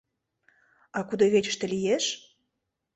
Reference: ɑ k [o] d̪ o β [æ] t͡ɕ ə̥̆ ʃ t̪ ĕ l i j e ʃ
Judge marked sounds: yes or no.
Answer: no, no

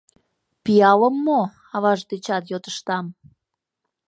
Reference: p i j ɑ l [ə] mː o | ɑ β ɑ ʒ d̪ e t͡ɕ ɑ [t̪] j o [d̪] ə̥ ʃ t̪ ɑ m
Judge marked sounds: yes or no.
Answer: yes, yes, no

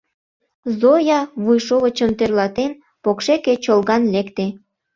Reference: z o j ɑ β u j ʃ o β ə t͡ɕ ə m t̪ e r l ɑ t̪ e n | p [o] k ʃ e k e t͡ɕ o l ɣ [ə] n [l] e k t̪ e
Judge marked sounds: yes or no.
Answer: yes, no, yes

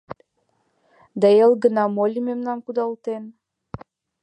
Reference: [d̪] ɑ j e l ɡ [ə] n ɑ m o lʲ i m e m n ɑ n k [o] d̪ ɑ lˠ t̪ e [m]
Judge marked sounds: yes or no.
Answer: yes, yes, no, no

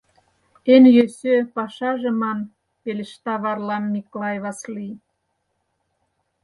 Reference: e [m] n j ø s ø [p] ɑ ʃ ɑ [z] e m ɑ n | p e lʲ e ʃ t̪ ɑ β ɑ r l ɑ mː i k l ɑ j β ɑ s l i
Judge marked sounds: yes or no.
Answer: no, yes, no

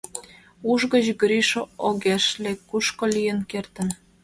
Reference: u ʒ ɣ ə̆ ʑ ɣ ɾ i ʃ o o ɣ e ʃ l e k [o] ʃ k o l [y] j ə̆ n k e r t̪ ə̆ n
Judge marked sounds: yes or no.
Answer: no, no

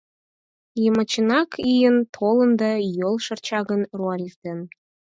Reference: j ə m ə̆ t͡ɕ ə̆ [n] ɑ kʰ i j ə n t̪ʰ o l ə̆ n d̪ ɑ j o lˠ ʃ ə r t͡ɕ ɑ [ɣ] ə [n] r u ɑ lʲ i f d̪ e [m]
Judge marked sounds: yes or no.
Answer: yes, yes, yes, no

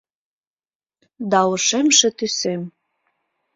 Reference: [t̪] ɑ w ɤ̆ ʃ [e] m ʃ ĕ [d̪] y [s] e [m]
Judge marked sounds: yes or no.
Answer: no, yes, no, yes, yes

